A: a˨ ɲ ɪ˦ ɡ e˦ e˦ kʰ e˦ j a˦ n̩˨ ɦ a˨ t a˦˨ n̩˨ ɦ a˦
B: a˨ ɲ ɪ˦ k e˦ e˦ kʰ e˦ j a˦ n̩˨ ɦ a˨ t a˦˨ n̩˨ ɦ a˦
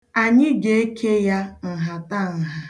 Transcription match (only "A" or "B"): A